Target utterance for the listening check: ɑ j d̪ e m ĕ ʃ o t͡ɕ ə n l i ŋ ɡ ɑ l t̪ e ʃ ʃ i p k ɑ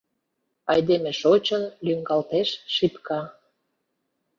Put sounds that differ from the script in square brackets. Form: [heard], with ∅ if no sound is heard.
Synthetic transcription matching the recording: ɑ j d̪ e m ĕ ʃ o t͡ɕ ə n l [y] ŋ ɡ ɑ l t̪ e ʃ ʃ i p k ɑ